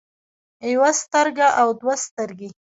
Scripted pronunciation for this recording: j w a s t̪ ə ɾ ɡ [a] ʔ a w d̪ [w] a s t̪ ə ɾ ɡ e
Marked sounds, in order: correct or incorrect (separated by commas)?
correct, correct